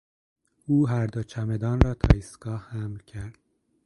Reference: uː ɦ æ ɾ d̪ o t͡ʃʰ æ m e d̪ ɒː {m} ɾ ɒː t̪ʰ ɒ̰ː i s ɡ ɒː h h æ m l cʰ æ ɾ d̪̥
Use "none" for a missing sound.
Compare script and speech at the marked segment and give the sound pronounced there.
n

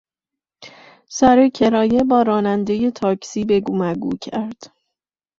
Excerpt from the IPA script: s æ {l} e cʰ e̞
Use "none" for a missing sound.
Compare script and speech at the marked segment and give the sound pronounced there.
ɾ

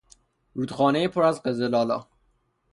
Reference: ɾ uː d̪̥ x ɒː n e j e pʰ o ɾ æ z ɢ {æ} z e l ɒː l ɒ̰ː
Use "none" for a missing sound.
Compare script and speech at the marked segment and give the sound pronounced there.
e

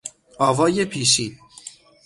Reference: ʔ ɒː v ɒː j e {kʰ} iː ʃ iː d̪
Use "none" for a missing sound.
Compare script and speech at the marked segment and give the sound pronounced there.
pʰ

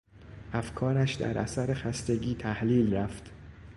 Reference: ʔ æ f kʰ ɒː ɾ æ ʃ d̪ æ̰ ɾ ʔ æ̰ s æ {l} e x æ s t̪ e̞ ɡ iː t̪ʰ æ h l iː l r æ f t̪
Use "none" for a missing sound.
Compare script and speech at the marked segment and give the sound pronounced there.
ɾ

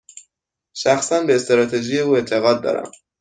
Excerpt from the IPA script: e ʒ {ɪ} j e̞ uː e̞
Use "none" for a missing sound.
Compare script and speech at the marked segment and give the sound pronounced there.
i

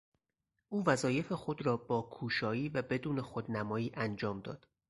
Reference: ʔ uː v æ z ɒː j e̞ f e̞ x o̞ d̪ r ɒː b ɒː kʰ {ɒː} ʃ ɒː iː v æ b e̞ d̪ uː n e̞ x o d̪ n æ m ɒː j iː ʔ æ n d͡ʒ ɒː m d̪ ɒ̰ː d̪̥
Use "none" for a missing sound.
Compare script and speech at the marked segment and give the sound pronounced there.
uː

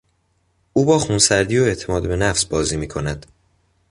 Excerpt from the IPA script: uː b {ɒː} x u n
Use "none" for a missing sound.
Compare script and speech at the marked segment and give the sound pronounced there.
ɒː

